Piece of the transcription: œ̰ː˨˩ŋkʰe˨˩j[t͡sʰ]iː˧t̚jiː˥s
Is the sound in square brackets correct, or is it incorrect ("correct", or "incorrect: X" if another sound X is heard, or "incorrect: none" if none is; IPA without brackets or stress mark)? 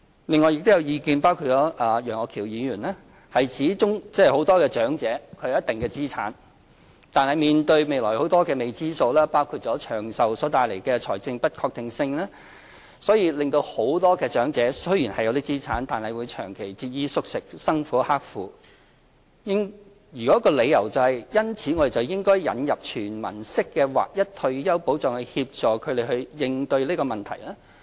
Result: incorrect: t͡s